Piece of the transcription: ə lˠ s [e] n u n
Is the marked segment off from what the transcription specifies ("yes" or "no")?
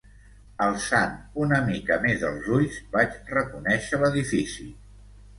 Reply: yes